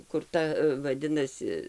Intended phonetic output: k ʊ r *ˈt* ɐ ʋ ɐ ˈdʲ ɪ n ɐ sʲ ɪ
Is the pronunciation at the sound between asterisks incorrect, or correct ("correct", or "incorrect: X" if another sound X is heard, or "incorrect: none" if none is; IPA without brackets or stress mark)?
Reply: correct